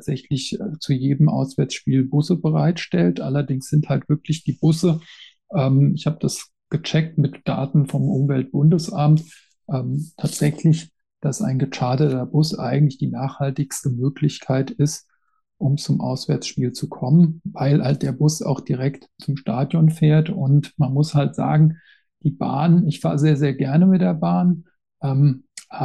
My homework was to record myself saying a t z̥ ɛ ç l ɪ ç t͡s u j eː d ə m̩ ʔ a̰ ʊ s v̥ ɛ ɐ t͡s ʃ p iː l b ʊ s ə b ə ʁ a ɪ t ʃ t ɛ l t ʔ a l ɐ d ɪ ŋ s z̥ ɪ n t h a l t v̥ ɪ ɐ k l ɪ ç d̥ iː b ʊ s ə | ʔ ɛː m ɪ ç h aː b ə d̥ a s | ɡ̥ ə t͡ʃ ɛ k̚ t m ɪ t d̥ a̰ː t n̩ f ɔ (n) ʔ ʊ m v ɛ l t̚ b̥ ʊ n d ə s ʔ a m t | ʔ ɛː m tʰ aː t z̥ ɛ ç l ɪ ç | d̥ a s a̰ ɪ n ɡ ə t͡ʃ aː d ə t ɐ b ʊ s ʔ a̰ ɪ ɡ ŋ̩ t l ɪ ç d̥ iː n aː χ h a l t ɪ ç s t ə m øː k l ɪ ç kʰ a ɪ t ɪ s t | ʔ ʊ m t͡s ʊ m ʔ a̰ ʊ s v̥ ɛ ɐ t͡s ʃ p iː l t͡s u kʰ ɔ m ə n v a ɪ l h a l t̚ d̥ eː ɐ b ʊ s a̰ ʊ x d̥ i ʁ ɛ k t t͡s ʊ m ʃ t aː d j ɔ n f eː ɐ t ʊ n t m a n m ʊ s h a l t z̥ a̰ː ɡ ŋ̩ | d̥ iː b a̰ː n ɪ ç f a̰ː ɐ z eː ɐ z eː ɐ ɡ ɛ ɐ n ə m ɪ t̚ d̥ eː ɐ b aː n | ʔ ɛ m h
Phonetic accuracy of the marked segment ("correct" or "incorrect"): incorrect